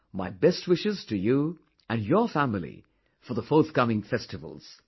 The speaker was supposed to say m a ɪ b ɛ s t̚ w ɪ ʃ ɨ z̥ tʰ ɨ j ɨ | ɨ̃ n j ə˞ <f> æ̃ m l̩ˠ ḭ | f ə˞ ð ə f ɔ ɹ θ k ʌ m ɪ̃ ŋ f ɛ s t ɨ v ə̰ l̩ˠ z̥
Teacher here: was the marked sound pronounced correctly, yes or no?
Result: yes